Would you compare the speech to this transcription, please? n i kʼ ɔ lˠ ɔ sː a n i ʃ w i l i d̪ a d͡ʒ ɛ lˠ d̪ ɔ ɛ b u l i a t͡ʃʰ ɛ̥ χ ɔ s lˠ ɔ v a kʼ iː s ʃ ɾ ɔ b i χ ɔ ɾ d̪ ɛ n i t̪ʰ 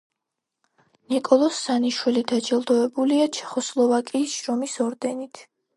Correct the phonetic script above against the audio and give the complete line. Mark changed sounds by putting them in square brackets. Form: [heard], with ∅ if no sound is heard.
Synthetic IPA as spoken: n i kʼ ɔ lˠ ɔ sː a n i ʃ w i l i d̪ a d͡ʒ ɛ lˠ d̪ ɔ ɛ b u l i a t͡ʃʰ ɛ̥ χ ɔ s lˠ ɔ v a kʼ iː s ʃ ɾ ɔ [m] i [s] ɔ ɾ d̪ ɛ n i t̪ʰ